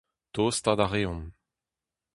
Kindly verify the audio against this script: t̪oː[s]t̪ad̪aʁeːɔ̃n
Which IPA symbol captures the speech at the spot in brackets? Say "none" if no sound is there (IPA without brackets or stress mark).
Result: s